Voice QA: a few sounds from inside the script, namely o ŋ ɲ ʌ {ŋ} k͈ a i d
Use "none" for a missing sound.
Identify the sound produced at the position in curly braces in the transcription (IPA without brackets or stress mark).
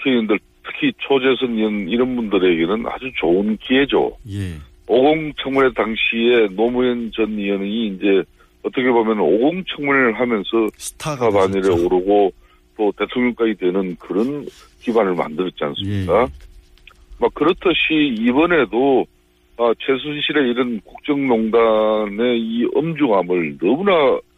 ŋ